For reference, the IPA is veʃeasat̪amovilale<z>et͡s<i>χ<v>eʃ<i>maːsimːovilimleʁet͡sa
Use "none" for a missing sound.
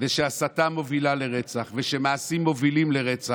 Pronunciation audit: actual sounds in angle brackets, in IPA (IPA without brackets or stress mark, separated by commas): ʁ, a, v, e